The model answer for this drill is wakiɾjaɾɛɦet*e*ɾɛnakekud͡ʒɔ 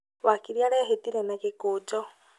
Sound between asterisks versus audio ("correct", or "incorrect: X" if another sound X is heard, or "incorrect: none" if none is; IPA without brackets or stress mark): incorrect: i